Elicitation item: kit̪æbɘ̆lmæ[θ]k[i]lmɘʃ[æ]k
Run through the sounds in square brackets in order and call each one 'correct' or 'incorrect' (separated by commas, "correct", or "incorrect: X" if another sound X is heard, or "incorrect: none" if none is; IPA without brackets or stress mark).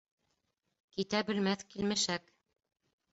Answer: correct, correct, correct